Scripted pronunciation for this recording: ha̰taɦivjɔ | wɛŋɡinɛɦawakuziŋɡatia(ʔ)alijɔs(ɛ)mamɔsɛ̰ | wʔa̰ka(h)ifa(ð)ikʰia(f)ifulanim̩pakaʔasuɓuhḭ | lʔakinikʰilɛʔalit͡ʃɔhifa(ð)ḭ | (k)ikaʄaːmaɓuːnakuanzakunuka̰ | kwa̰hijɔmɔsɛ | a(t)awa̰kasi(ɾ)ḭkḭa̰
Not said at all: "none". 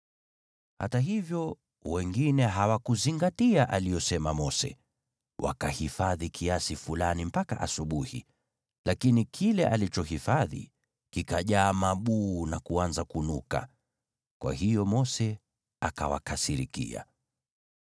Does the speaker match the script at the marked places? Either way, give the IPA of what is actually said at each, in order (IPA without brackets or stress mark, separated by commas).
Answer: ʔ, ɛ, h, ð, s, ð, k, k, ɾ